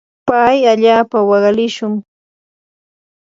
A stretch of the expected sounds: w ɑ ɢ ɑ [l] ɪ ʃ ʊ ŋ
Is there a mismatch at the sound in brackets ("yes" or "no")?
no